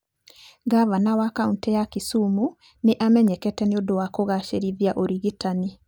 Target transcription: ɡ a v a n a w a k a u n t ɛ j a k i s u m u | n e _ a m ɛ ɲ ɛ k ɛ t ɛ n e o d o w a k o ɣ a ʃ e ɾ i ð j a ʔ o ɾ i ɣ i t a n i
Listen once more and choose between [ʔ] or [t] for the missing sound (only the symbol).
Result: ʔ